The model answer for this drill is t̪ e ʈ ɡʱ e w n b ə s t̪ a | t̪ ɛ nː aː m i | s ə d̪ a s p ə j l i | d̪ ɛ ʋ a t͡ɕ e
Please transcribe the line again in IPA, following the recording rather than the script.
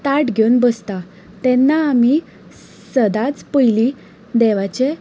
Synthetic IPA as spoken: t̪ a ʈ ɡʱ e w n b ə s t̪ a | t̪ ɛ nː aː m i | s ə d̪ a t͡s p ə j l i | d̪ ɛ ʋ a t͡ɕ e